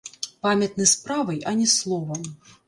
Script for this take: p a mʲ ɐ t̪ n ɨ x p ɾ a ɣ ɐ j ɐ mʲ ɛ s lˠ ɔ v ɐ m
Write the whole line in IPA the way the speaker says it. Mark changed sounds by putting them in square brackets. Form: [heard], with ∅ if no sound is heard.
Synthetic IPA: p a mʲ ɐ t̪ n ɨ [s] p ɾ a [v] ɐ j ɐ [nʲ] ɛ s lˠ ɔ v ɐ m